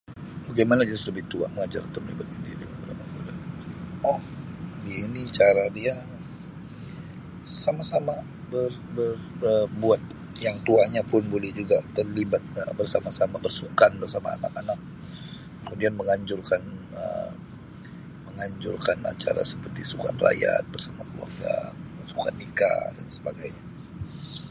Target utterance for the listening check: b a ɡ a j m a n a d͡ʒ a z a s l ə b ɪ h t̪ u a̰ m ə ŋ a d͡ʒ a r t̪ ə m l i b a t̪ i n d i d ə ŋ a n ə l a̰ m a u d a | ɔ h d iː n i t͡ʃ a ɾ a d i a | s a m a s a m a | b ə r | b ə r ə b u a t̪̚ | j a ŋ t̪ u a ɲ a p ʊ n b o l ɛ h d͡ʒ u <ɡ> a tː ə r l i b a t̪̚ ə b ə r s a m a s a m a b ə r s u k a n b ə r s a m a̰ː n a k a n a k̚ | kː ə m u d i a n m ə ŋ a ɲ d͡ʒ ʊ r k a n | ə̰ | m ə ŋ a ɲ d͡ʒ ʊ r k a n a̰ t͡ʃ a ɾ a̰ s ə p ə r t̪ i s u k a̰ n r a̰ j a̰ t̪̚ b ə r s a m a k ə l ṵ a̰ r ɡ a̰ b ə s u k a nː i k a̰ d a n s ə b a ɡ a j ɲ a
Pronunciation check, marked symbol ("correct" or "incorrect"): correct